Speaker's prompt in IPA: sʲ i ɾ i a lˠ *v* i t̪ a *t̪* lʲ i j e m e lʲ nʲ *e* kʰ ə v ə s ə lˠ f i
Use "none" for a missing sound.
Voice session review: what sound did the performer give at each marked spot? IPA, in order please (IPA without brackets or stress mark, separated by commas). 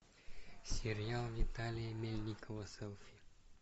v, none, i